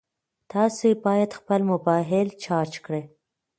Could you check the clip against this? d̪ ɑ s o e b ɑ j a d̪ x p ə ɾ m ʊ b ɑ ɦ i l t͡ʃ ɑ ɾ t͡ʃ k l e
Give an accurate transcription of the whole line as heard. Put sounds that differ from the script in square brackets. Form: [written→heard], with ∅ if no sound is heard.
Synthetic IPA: [d̪→t̪] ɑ s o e b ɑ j a d̪ x p ə [ɾ→l] m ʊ b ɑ ɦ [i→ɪ] l t͡ʃ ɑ ɾ t͡ʃ k [l→ɽ] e